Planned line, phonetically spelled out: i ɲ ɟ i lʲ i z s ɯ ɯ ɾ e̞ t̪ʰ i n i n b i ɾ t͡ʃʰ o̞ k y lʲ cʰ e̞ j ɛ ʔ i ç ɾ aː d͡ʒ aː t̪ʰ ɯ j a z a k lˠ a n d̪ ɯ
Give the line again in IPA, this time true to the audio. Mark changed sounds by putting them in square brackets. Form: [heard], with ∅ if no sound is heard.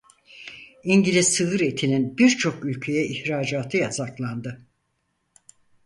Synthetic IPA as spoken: i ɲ ɟ i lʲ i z s ɯ ɯ ɾ e̞ t̪ʰ i n i n b i ɾ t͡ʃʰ o̞ k y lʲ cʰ e̞ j ɛ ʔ i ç ɾ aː d͡ʒ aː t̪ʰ ɯ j a z a k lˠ a n d̪ ɯ